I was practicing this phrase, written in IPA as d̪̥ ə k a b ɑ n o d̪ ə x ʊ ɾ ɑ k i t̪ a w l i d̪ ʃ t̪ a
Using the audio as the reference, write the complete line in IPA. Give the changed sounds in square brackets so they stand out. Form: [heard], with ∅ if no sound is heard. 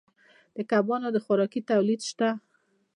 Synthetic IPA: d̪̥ ə k a b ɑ n o d̪ ə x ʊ ɾ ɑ k i t̪ a w l i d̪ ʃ t̪ a